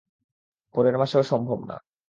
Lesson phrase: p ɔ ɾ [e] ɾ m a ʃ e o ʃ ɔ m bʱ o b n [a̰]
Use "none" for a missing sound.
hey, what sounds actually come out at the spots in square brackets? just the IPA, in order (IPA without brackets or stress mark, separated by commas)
e, a̰